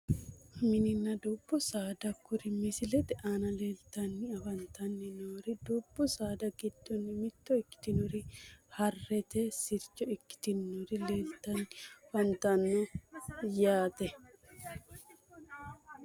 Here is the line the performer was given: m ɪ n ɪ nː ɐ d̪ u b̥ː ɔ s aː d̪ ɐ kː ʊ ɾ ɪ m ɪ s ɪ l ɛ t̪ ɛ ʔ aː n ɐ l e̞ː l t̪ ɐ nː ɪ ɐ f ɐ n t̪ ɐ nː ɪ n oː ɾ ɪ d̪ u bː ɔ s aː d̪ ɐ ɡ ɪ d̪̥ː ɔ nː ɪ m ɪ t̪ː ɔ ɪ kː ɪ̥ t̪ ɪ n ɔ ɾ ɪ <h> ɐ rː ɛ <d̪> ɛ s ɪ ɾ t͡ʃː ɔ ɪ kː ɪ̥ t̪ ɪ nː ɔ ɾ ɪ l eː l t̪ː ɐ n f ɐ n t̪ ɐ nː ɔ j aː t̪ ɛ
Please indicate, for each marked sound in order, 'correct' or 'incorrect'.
correct, incorrect: t̪

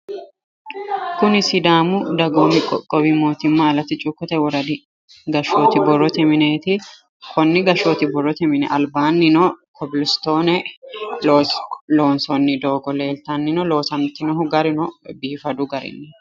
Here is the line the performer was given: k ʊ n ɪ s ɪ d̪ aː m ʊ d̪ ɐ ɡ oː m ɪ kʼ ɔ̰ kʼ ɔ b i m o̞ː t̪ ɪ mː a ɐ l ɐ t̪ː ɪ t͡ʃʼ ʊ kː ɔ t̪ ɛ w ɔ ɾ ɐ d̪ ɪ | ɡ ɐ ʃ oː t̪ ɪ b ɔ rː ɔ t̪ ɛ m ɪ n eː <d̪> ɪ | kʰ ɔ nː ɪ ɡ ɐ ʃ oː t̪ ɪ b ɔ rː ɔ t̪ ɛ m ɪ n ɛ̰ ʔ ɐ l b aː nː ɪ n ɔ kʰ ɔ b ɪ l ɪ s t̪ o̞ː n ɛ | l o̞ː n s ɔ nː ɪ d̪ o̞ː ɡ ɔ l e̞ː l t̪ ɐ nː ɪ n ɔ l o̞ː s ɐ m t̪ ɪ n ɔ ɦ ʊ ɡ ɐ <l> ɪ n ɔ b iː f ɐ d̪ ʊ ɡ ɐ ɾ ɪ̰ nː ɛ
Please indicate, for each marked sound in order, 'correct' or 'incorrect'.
incorrect: t̪, incorrect: ɾ

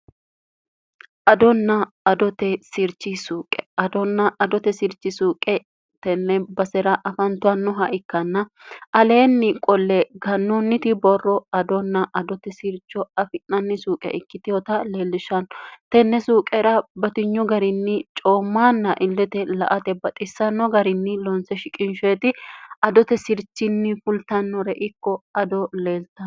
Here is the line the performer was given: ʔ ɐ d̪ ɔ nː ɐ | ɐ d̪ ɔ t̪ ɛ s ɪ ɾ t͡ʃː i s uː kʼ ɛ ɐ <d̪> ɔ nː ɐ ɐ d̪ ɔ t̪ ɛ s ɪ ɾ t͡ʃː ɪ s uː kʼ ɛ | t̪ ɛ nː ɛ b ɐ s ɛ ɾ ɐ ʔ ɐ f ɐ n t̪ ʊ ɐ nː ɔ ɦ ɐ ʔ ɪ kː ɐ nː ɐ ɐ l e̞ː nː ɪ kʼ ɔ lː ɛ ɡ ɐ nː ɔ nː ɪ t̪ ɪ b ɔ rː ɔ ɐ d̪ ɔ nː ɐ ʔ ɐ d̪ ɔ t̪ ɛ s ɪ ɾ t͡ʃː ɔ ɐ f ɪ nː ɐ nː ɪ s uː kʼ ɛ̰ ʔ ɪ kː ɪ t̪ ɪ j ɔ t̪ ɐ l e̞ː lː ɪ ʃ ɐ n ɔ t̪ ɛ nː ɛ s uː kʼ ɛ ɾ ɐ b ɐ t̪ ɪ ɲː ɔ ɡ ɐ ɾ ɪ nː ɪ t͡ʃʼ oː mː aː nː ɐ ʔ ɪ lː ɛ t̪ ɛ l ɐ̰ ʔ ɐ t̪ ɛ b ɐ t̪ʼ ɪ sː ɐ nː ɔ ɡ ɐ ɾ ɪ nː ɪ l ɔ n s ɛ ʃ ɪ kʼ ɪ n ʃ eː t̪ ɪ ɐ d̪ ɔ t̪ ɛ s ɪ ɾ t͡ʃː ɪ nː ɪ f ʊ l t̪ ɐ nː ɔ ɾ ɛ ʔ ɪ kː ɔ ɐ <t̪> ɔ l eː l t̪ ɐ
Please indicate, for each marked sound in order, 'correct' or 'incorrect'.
correct, incorrect: d̪

